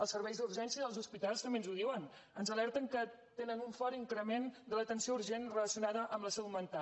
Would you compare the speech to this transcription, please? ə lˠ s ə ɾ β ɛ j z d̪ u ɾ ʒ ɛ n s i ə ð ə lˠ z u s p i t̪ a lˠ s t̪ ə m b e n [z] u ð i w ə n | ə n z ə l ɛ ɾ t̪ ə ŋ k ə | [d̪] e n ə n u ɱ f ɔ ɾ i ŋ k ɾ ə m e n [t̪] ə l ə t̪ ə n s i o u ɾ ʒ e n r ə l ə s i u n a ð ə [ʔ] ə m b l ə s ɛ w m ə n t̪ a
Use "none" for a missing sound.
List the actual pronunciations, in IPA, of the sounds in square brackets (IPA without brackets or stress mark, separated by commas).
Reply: z, t̪, d̪, ʔ